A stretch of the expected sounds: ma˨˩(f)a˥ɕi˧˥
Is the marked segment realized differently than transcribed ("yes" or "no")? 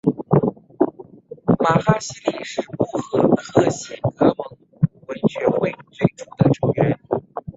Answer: yes